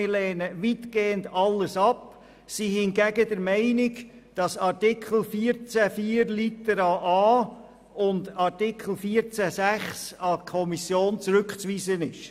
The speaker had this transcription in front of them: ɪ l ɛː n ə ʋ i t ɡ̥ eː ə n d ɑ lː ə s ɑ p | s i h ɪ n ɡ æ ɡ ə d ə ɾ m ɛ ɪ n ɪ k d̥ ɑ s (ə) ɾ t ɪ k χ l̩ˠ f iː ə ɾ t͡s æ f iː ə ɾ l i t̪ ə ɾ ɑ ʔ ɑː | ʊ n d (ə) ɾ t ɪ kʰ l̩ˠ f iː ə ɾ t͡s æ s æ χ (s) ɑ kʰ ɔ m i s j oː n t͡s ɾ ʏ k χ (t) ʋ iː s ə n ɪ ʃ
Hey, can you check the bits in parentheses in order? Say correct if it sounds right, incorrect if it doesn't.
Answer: incorrect: ɑ, incorrect: ɑ, correct, incorrect: t͡s

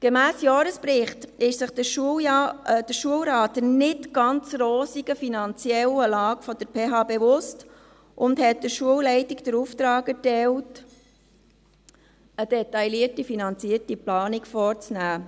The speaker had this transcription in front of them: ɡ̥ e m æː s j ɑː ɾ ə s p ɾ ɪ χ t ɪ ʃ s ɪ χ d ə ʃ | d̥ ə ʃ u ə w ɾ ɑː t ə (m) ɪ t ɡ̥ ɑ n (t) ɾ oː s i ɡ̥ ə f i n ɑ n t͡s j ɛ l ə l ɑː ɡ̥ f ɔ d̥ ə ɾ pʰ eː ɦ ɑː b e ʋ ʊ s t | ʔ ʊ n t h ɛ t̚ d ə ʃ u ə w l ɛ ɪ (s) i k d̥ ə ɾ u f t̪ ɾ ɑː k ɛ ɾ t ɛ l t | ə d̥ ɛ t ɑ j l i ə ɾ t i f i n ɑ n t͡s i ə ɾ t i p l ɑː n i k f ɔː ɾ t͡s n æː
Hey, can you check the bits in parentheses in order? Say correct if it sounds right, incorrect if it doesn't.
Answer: incorrect: n, incorrect: t͡s, incorrect: t

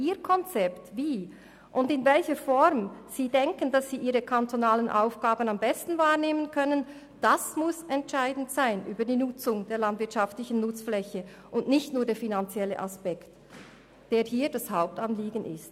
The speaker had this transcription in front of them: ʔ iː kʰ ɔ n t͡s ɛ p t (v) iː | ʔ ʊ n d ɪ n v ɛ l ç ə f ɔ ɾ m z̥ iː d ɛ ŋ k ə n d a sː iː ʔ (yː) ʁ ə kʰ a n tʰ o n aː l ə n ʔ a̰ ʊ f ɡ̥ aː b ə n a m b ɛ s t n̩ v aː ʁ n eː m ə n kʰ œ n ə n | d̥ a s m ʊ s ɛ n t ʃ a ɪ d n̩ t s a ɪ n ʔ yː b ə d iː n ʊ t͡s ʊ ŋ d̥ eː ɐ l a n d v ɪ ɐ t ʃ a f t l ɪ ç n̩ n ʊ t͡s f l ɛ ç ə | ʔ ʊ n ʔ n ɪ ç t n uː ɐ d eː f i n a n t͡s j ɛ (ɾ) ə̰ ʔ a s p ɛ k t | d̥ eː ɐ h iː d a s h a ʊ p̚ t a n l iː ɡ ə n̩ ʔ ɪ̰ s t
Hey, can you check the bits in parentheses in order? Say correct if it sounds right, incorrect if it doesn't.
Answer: correct, incorrect: iː, incorrect: l

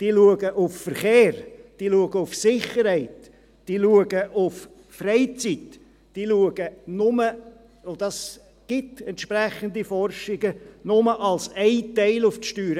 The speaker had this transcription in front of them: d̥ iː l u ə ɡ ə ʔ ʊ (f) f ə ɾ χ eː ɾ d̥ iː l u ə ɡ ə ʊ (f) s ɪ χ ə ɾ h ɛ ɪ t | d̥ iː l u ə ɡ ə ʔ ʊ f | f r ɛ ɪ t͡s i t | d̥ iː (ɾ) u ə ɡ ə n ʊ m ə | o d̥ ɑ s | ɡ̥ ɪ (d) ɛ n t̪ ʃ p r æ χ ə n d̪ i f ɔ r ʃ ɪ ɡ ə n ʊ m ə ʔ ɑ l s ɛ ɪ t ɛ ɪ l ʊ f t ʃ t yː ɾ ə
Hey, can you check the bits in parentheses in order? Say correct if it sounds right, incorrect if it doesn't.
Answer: correct, correct, incorrect: l, incorrect: t

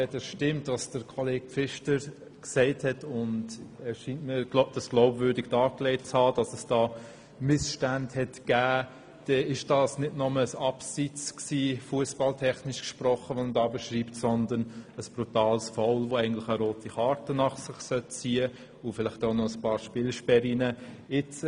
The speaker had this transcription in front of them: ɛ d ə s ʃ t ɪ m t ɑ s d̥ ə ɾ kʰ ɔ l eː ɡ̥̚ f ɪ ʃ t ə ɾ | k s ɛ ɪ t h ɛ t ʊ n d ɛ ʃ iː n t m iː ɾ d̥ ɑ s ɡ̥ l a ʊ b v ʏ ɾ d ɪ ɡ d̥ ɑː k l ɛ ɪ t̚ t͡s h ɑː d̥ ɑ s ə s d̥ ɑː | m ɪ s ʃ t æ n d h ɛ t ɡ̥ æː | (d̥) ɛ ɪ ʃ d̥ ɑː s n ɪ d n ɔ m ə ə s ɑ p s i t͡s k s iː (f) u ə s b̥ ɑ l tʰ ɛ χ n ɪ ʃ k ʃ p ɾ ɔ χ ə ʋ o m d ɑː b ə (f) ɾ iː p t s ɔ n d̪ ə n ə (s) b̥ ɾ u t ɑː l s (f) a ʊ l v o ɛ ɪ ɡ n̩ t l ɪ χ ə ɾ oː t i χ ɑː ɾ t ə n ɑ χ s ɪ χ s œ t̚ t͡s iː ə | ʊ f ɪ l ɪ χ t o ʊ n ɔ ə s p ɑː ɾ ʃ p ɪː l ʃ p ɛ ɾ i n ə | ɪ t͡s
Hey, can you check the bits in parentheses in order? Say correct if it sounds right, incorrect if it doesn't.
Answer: correct, correct, incorrect: ʃ, correct, correct

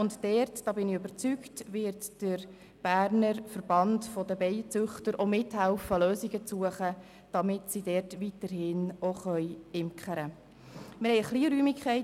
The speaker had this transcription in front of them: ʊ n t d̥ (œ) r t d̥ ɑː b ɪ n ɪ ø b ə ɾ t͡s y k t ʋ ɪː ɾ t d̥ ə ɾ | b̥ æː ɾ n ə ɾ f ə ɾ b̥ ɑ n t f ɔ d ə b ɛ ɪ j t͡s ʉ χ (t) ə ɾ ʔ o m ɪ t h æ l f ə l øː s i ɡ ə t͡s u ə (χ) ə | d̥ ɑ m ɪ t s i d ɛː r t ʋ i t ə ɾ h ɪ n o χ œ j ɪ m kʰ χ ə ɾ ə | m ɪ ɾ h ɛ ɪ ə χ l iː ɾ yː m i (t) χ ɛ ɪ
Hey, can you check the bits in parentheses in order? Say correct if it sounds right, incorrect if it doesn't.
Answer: incorrect: ɛ, correct, correct, incorrect: k

